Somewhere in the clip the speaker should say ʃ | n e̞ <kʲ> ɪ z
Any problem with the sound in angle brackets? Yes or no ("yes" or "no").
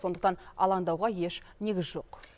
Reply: yes